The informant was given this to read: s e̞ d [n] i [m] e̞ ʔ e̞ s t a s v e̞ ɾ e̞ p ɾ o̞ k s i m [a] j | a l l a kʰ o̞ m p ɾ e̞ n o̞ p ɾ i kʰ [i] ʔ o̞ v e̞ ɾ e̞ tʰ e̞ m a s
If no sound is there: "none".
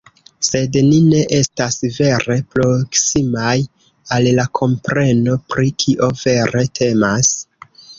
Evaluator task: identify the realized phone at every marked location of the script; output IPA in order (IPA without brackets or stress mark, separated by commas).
n, n, a, i